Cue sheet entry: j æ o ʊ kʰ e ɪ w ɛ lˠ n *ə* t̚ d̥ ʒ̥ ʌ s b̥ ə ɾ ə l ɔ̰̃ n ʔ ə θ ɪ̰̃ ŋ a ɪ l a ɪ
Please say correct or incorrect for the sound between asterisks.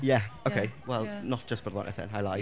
correct